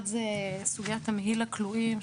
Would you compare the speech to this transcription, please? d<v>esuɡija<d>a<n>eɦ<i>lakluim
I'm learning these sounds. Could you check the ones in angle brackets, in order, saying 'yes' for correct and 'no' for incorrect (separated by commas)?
no, no, no, yes